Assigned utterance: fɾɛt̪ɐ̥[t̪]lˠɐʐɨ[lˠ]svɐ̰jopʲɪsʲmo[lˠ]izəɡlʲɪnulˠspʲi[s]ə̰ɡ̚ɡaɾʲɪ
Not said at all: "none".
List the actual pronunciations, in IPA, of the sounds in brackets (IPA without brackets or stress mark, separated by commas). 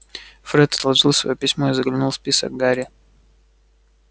t̪, lˠ, none, s